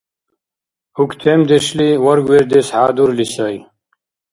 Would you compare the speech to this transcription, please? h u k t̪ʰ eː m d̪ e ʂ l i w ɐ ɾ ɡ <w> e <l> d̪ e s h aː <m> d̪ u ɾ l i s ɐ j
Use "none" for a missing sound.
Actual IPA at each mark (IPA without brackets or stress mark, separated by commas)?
w, ɾ, none